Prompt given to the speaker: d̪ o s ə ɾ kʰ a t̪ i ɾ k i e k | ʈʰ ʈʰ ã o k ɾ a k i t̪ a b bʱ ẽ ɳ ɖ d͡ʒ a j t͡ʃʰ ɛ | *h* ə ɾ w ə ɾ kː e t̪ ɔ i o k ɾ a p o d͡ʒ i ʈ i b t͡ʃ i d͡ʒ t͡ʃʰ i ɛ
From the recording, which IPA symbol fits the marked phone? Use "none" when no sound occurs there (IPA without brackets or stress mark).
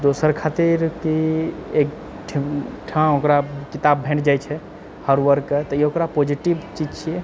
h